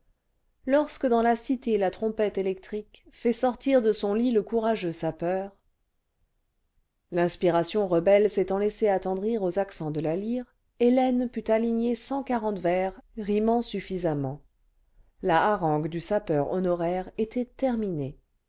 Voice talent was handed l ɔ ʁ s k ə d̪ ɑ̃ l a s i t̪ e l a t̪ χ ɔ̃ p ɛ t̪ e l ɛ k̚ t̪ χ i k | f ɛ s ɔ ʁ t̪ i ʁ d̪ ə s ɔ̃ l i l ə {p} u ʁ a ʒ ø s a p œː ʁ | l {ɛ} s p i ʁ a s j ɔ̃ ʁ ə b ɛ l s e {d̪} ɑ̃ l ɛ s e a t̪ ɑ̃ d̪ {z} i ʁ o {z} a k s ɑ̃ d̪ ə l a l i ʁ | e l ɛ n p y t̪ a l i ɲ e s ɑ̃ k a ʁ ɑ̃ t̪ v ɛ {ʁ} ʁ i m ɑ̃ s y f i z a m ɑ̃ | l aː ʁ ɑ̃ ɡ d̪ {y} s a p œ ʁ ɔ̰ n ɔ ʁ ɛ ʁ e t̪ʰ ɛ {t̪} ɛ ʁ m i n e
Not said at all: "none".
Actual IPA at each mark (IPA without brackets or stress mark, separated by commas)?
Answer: k, ɛ̃, t̪, ʁ, z, ʁ, y, t̪